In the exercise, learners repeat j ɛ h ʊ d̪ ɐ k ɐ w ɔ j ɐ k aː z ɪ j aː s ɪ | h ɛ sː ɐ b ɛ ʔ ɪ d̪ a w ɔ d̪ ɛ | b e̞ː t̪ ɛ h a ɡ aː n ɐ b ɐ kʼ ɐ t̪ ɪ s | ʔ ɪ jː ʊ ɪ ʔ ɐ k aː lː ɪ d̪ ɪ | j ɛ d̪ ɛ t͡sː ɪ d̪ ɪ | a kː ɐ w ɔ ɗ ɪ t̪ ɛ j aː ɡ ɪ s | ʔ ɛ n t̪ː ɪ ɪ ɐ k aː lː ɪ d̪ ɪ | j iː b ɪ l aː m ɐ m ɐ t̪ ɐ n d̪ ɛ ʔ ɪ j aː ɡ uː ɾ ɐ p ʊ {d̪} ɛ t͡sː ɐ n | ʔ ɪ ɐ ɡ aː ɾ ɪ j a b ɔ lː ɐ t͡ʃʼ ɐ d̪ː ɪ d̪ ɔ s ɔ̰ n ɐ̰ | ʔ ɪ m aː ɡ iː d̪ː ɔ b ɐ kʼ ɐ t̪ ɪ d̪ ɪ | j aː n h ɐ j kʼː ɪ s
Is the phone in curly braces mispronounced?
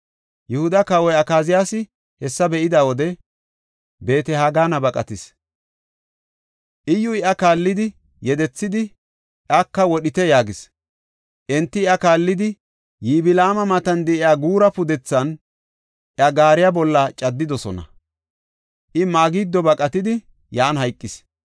no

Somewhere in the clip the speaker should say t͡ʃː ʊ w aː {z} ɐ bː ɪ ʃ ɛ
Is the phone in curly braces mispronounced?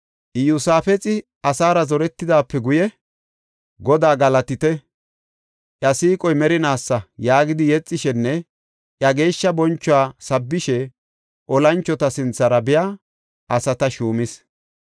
yes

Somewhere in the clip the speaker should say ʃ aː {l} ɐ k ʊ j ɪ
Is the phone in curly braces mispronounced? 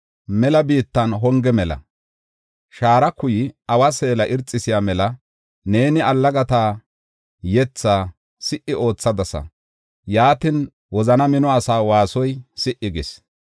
yes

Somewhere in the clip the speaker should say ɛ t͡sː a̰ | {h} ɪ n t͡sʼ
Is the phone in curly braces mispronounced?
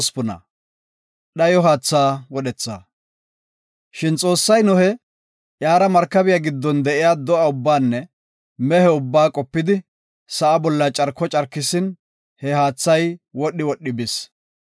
yes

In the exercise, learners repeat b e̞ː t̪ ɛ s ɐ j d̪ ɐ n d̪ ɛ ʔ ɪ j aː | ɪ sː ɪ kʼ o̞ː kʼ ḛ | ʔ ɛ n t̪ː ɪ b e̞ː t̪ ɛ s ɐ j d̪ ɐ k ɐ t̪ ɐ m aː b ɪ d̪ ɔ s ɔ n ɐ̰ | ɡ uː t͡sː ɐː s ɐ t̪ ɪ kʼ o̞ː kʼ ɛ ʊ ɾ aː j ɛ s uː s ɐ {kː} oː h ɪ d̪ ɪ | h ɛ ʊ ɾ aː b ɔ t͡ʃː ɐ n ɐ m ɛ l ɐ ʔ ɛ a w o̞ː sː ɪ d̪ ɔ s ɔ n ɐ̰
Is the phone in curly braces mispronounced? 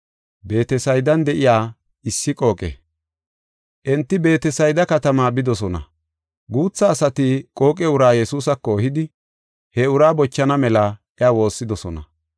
no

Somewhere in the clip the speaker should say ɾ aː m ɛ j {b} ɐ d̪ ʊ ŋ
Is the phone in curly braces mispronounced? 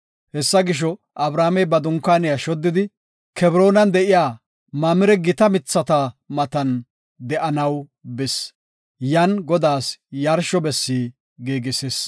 no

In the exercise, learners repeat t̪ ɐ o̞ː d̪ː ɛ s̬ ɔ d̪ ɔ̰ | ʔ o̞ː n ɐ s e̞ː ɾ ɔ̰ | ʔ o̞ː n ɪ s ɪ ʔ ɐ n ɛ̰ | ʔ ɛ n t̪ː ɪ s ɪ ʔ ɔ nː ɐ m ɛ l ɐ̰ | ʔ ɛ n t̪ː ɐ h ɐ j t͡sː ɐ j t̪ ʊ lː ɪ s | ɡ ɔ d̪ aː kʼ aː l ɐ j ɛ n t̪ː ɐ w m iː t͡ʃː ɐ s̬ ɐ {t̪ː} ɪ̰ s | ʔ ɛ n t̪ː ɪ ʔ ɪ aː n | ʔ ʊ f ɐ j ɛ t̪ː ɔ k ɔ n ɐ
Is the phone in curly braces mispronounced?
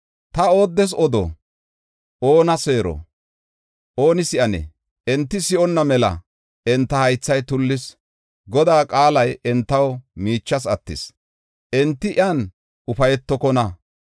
no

